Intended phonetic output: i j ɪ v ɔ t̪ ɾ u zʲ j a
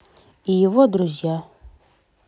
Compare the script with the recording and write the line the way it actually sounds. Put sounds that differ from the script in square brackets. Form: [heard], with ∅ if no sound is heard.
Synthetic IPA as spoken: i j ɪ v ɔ [d̪] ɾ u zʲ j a